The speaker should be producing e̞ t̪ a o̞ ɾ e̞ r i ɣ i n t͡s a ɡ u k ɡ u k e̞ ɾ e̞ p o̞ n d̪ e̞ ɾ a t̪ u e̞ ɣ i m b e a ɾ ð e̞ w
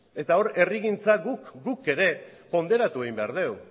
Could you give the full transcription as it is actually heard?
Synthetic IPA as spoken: e̞ t̪ a o̞ ɾ e̞ r i ɣ i n t͡s a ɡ u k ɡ u k e̞ ɾ e̞ p o̞ n d̪ e̞ ɾ a t̪ u e̞ ɣ i m b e a ɾ ð e̞ w